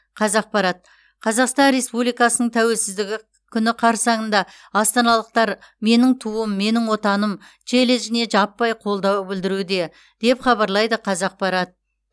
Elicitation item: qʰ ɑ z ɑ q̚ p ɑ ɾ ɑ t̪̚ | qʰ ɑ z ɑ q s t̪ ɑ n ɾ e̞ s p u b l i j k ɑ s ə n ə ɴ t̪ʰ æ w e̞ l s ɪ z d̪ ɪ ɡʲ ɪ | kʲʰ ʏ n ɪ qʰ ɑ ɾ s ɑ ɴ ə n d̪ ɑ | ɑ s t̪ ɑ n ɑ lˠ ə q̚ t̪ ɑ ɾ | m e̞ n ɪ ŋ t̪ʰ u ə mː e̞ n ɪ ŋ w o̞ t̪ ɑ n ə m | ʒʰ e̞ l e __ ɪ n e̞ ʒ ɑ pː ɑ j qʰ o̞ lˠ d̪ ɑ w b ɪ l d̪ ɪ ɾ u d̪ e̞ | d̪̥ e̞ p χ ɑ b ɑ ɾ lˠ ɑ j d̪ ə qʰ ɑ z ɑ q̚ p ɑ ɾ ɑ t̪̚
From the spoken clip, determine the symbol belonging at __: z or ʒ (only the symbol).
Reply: ʒ